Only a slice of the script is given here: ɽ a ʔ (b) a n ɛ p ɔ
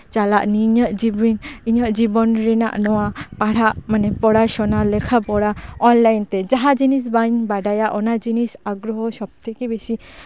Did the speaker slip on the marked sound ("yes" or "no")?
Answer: yes